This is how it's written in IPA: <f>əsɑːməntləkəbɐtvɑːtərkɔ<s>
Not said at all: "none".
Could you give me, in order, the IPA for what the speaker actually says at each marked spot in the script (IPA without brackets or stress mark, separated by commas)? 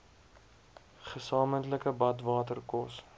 χ, s